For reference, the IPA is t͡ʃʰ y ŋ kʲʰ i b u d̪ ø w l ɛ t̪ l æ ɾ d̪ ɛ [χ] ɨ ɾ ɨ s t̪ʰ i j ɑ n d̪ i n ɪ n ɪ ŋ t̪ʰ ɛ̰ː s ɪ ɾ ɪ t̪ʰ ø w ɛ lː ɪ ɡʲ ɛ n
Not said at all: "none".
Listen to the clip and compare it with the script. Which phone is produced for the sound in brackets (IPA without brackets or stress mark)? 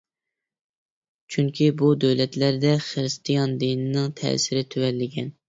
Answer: χ